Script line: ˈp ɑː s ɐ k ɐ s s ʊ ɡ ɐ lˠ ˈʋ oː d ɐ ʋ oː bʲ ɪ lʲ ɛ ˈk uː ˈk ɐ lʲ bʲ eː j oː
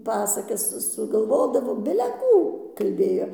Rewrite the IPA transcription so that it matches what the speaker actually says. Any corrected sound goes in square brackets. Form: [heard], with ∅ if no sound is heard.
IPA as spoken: ˈp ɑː s ɐ k ɐ s s ʊ ɡ ɐ lˠ ˈʋ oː d ɐ ʋ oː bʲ ɪ lʲ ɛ ˈk uː ˈk ɐ lʲ bʲ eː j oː

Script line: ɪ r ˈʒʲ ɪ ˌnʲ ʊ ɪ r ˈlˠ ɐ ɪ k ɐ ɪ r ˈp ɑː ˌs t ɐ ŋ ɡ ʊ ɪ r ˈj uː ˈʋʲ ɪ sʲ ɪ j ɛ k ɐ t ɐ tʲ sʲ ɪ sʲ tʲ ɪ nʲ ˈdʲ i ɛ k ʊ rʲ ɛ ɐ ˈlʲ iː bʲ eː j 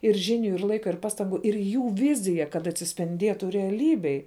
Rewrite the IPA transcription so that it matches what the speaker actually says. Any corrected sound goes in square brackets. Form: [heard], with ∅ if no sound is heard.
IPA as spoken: ɪ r ˈʒʲ ɪ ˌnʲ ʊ ɪ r ˈlˠ ɐ ɪ k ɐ ɪ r ˈp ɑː ˌs t ɐ ŋ ɡ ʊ ɪ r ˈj uː ˈʋʲ ɪ [zʲ] ɪ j ɛ k ɐ t ɐ tʲ sʲ ɪ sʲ [pʲ] ɪ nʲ ˈdʲ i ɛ [t] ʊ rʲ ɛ ɐ ˈlʲ iː bʲ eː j

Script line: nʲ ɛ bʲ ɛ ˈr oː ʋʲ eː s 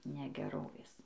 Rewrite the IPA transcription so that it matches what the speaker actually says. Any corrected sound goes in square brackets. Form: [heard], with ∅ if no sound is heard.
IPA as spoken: nʲ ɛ [ɡʲ] ɛ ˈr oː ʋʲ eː s

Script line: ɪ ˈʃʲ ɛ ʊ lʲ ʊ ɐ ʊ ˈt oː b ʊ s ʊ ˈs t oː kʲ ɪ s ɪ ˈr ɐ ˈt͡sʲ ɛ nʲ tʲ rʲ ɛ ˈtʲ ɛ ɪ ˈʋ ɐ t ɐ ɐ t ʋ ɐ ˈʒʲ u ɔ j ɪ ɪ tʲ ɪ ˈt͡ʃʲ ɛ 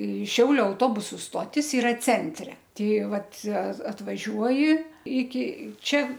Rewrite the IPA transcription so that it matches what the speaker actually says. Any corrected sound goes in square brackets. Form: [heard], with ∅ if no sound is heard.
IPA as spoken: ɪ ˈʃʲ ɛ ʊ lʲ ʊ ɐ ʊ ˈt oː b ʊ s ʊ ˈs t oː [tʲ] ɪ s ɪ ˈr ɐ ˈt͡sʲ ɛ nʲ tʲ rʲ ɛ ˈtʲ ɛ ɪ ˈʋ ɐ t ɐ ɐ t ʋ ɐ ˈʒʲ u ɔ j ɪ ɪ [kʲ] ɪ ˈt͡ʃʲ ɛ

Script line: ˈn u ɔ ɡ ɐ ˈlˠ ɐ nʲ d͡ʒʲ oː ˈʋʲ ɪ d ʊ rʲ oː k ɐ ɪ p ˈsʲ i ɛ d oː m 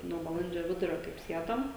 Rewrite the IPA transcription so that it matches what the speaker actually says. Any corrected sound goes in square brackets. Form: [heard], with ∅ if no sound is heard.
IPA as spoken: ˈn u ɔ [b] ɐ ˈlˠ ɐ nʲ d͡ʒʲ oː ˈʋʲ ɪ d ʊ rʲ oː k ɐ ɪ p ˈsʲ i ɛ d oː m

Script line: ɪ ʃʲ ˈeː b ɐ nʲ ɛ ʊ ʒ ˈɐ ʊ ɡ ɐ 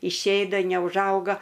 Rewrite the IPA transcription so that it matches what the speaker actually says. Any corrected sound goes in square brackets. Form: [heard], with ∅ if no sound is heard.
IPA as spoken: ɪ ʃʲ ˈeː [d] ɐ nʲ ɛ ʊ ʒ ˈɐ ʊ ɡ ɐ

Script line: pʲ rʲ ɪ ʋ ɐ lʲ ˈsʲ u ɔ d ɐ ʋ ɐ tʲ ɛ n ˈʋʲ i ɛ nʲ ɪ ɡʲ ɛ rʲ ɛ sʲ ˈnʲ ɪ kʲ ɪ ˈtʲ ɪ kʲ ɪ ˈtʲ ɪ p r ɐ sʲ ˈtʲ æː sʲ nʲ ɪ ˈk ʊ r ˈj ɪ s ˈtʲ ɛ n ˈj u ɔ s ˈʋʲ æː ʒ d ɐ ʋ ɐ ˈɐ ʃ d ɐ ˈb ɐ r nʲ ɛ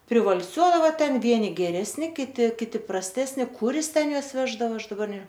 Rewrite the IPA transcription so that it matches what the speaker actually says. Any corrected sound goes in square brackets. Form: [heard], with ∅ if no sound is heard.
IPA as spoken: pʲ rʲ ɪ ʋ ɐ lʲ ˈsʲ u ɔ d ɐ ʋ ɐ tʲ ɛ n ˈʋʲ i ɛ nʲ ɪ ɡʲ ɛ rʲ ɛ sʲ ˈnʲ ɪ kʲ ɪ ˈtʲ ɪ kʲ ɪ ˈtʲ ɪ p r ɐ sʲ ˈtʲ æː sʲ nʲ ɪ ˈk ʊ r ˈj ɪ s ˈtʲ ɛ n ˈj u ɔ s ˈʋʲ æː ʒ d ɐ ʋ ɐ ˈɐ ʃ d ɐ ˈb ɐ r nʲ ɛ

